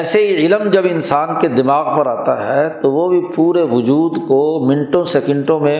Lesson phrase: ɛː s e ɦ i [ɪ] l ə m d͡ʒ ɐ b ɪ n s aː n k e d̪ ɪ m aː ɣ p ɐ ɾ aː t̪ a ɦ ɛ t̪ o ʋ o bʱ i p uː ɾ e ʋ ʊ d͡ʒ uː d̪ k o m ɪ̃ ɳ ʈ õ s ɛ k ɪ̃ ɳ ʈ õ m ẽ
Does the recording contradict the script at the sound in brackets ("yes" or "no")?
no